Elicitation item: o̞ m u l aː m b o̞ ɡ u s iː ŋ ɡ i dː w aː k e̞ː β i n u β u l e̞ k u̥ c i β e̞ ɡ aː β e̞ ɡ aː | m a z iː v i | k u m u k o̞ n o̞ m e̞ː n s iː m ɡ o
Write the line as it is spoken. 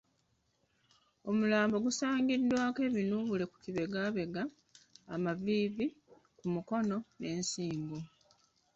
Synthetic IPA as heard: o̞ m u l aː m b o̞ ɡ u s aː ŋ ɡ i dː w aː k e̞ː β i n u β u l e̞ k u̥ c i β e̞ ɡ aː β e̞ ɡ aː | m a v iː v i | k u m u k o̞ n o̞ n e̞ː n s iː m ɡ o